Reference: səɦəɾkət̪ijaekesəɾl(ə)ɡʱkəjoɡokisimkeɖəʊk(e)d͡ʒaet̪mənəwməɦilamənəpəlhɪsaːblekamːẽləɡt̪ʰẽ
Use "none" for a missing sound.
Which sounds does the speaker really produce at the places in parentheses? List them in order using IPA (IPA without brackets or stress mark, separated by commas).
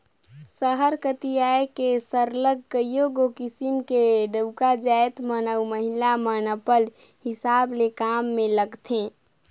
ə, a